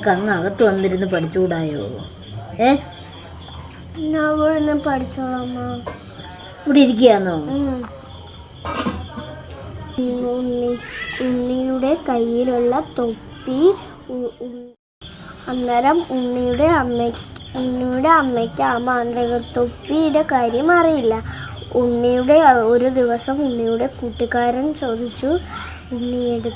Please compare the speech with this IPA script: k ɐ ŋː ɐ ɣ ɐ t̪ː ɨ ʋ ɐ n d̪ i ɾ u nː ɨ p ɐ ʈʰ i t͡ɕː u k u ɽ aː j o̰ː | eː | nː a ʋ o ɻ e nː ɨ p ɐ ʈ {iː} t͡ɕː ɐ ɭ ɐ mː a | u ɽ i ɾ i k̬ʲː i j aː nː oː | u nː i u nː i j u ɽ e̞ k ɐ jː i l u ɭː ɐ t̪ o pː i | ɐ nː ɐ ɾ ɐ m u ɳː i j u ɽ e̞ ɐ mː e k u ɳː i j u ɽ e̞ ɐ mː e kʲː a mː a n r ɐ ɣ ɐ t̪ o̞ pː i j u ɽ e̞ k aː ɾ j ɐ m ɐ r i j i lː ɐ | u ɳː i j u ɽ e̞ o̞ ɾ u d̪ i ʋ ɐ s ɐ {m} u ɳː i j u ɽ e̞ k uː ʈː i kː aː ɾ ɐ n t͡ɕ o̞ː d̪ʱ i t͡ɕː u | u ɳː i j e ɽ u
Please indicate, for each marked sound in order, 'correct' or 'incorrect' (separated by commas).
incorrect, correct